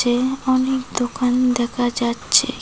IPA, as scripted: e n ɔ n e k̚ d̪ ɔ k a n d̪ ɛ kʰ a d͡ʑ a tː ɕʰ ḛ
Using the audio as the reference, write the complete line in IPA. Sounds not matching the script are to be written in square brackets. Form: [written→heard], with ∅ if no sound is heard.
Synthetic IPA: e [n→∅] ɔ n e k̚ d̪ [ɔ→o] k a n d̪ ɛ kʰ a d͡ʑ a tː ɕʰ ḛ